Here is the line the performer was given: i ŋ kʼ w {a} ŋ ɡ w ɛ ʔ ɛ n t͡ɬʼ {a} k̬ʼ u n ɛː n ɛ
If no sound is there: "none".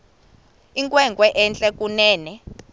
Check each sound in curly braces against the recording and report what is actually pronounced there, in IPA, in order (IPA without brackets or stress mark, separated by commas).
ɛ, ɛ